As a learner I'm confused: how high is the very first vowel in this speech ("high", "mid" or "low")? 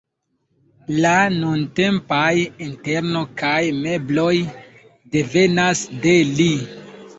low